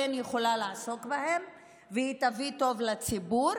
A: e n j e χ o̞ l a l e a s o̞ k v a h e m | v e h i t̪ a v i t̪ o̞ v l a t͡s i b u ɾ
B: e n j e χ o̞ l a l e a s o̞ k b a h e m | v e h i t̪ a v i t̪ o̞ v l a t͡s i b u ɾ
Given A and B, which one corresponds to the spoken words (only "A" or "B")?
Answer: B